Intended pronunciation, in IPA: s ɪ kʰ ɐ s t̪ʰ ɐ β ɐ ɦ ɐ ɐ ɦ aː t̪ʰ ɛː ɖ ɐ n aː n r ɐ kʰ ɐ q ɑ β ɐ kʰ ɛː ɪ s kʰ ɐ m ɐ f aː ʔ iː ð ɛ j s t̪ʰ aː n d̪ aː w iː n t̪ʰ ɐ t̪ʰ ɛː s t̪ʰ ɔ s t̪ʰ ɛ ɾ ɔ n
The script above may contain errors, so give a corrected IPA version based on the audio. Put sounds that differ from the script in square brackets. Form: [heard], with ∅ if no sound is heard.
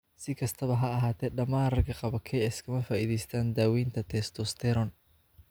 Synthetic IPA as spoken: s ɪ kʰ ɐ s t̪ʰ ɐ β ɐ ɦ ɐ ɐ ɦ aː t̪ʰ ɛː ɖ ɐ [m] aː n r ɐ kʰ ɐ q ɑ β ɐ kʰ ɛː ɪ s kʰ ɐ m ɐ f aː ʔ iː ð ɛ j s t̪ʰ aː n d̪ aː w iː n t̪ʰ ɐ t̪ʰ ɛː s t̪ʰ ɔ s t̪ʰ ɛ ɾ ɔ n